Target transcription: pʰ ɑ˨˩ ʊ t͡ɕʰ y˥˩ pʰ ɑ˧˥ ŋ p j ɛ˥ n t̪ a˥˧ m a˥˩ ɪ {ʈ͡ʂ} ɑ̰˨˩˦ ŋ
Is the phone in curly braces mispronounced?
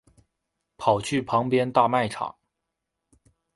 yes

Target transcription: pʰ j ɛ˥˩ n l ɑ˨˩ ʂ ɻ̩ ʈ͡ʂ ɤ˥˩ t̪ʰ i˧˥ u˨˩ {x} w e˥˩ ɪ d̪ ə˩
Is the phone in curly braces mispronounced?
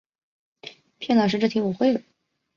no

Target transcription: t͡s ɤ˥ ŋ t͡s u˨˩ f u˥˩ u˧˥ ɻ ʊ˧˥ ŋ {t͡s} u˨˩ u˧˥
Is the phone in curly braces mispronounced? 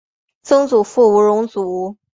no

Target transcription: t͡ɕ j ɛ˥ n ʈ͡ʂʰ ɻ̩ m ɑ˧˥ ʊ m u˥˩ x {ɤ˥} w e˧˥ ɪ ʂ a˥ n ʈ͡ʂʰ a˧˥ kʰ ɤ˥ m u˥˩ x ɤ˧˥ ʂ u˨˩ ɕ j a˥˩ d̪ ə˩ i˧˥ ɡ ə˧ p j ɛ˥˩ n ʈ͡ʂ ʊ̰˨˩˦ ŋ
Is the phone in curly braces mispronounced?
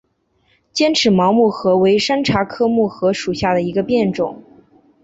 yes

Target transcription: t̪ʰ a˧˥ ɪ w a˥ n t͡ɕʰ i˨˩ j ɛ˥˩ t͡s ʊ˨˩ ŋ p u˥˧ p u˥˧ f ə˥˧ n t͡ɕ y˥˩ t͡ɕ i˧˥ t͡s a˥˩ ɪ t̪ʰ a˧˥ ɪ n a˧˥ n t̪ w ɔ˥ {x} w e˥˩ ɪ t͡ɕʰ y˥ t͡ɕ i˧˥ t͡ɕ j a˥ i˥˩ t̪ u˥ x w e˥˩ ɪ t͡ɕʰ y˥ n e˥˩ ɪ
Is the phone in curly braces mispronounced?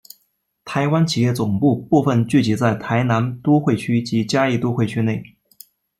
no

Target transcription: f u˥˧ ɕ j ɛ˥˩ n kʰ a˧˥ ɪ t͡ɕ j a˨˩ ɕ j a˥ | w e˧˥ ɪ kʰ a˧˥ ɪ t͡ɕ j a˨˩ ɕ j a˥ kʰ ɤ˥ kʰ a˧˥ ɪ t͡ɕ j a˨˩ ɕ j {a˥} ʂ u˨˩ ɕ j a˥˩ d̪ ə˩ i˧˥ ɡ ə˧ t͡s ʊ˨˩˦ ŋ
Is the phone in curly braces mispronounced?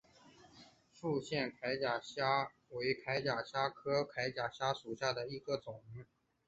no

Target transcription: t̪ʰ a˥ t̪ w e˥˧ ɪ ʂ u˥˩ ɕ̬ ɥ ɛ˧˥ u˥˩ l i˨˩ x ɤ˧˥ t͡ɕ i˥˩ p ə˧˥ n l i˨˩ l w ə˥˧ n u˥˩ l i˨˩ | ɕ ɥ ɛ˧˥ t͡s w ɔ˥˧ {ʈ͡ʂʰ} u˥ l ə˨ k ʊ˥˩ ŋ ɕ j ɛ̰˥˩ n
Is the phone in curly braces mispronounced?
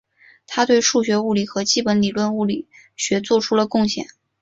no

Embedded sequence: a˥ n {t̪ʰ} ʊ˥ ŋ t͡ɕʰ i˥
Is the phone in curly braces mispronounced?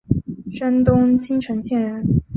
yes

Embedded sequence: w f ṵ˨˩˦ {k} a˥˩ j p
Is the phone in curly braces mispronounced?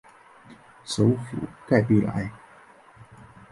no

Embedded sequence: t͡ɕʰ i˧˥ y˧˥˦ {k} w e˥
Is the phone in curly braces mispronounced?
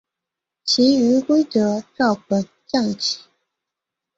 no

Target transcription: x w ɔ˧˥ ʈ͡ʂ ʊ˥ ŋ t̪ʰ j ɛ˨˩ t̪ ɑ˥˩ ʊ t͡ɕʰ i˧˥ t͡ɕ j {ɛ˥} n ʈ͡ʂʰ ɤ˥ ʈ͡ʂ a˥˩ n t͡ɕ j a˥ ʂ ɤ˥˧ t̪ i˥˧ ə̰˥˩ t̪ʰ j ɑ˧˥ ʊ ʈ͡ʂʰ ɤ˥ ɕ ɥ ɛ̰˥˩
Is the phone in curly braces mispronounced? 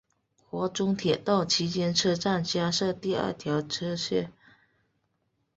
no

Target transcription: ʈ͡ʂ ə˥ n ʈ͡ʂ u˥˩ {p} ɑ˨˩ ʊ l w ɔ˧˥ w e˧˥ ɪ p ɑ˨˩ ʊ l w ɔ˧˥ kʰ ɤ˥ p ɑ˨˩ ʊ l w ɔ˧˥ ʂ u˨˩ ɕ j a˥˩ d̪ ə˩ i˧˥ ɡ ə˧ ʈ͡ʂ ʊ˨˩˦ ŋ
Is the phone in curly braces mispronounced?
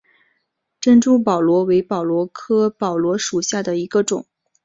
no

